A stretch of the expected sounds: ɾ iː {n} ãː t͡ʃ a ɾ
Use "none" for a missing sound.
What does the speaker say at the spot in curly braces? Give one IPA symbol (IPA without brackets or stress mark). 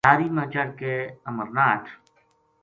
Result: m